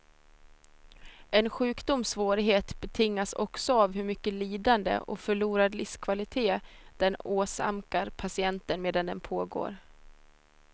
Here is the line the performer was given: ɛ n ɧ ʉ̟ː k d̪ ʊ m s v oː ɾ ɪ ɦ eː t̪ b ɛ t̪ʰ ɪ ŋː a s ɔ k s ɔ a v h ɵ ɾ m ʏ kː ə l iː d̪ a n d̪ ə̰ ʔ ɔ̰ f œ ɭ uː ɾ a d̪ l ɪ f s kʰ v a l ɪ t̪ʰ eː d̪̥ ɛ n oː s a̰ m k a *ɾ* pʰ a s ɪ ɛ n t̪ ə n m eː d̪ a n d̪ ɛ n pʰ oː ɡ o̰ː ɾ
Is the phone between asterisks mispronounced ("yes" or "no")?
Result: no